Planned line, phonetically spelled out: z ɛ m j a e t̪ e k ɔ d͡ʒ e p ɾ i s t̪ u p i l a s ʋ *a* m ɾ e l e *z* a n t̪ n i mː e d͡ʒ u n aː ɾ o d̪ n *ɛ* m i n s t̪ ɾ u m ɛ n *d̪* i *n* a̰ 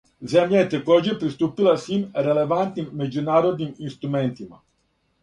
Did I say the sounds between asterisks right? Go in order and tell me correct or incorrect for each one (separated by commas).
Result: incorrect, incorrect, incorrect, incorrect, incorrect